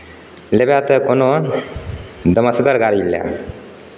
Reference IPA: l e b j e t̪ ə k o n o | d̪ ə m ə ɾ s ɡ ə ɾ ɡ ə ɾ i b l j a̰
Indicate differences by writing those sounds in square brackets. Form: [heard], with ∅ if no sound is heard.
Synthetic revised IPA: l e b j [a] t̪ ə k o n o | d̪ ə m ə [∅] s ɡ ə ɾ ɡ [a] ɾ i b l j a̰